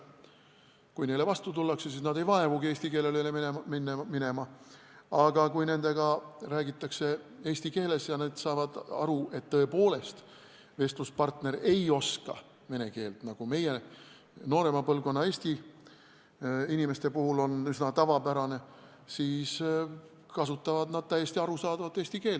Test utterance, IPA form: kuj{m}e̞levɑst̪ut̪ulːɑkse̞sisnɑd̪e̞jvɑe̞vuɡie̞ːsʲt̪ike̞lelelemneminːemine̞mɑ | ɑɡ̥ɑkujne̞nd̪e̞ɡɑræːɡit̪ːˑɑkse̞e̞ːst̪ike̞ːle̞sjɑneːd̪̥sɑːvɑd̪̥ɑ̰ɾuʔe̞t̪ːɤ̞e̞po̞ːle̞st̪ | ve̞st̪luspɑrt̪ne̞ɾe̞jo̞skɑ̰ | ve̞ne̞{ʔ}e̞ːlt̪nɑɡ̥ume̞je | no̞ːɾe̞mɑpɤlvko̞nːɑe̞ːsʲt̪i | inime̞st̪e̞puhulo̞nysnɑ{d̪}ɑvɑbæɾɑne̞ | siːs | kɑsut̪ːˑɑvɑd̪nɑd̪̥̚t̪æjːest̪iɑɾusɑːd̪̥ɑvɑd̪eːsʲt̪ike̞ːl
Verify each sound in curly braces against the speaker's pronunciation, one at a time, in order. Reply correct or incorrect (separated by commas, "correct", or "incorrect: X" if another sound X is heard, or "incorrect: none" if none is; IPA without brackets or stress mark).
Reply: incorrect: n, incorrect: k, incorrect: t̪